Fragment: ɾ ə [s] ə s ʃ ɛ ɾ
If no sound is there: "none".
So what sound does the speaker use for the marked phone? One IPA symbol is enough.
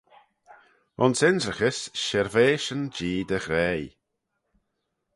x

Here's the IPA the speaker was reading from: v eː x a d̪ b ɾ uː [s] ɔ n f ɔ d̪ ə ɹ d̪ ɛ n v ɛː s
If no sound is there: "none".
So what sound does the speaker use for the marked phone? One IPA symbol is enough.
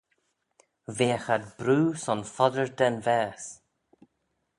s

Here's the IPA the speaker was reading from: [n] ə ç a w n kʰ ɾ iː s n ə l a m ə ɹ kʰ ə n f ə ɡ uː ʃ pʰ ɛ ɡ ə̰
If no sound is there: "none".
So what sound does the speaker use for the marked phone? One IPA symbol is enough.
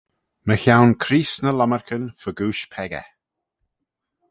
m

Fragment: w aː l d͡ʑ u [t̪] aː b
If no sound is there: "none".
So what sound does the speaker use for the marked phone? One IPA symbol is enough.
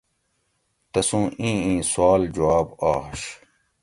none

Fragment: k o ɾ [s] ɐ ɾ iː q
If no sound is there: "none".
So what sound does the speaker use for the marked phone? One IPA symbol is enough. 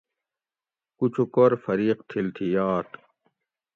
f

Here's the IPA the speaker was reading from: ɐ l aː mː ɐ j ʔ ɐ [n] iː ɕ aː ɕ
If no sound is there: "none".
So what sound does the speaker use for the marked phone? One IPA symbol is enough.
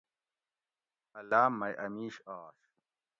m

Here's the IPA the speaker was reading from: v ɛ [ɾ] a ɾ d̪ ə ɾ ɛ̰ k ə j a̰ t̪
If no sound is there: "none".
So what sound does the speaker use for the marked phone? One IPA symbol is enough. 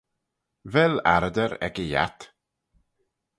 l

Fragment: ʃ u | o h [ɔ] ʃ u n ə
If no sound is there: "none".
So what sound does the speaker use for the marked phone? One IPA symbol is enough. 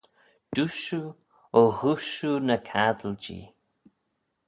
u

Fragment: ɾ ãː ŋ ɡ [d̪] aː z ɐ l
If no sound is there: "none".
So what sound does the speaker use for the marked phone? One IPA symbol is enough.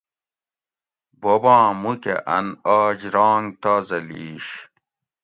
t̪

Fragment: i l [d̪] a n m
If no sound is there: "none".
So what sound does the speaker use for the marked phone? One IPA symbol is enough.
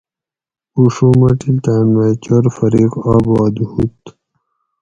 t̪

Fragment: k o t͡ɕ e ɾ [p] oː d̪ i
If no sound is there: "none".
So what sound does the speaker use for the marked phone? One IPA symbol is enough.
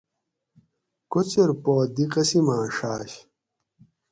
p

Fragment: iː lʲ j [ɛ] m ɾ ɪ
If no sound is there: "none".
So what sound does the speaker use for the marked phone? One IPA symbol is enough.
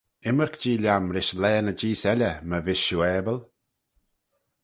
a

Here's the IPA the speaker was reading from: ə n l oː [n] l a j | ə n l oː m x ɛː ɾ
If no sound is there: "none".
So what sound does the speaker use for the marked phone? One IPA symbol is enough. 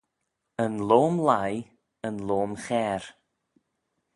m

